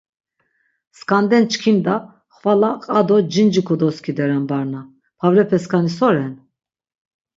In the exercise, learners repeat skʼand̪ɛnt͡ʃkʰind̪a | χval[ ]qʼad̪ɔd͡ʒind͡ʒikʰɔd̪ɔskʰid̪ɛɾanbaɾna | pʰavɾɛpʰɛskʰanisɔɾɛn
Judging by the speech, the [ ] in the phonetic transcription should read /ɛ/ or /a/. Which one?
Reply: a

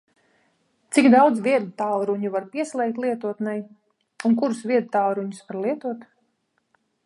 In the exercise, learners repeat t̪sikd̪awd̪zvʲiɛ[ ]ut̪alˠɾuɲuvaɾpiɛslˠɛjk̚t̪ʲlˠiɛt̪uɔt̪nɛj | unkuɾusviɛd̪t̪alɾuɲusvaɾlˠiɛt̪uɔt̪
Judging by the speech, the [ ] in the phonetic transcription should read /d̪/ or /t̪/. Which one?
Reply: d̪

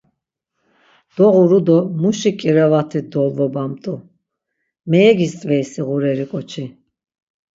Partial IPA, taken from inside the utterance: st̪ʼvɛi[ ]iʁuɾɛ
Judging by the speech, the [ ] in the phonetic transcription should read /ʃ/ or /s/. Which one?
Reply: s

